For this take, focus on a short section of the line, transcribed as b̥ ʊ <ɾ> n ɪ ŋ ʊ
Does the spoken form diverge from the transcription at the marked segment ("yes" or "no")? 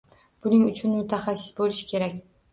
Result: yes